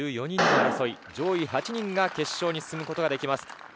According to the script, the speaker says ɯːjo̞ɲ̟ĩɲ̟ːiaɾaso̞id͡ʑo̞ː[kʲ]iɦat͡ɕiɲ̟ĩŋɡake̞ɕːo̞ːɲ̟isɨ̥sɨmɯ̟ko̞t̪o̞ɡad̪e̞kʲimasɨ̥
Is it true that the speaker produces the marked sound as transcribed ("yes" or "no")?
no